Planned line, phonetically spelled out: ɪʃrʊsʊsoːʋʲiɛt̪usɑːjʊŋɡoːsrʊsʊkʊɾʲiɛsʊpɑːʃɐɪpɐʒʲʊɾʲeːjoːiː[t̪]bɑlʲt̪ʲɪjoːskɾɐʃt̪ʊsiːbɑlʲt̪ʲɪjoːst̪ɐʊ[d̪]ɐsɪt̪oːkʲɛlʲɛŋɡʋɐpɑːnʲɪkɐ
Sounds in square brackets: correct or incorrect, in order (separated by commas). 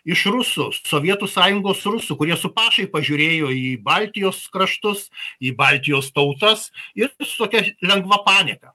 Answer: incorrect, incorrect